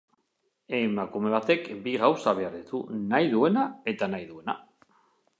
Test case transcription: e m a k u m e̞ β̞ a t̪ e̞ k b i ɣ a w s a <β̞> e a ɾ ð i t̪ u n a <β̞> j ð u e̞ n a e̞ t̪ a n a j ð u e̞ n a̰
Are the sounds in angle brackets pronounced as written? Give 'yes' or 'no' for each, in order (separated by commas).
yes, no